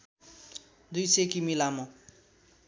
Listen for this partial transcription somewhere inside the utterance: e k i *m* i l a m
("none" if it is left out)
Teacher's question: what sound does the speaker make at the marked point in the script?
m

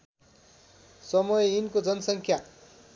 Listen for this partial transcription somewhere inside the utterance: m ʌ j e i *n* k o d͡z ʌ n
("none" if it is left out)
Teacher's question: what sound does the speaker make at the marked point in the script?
n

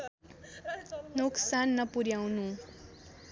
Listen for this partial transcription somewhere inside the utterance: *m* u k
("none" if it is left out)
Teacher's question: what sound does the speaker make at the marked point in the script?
n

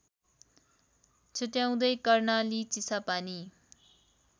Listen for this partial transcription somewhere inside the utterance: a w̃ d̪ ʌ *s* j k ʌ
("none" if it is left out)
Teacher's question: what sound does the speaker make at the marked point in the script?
none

